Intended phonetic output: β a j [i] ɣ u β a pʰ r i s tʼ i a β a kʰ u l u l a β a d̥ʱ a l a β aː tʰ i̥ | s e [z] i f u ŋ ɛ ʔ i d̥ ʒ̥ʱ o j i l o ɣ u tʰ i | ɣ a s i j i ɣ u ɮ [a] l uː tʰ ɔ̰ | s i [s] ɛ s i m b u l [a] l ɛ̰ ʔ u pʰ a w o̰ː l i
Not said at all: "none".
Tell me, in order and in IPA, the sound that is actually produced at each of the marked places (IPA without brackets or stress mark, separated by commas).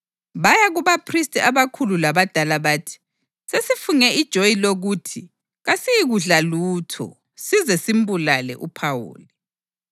a, s, a, z, a